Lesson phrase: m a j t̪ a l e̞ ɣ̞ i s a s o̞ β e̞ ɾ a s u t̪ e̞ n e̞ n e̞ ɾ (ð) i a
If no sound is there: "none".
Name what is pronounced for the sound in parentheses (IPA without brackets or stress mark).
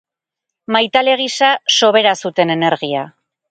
ɣ